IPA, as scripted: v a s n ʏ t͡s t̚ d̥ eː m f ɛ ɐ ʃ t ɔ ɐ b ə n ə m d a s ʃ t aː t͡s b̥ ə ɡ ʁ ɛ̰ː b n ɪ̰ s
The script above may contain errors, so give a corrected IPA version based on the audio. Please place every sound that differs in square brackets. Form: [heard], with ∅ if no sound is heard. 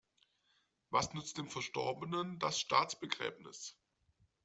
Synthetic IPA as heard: v a s n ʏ t͡s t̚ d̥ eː m f ɛ ɐ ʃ t ɔ ɐ b ə n ə [n] d a s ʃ t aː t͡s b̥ ə ɡ ʁ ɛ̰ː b n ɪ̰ s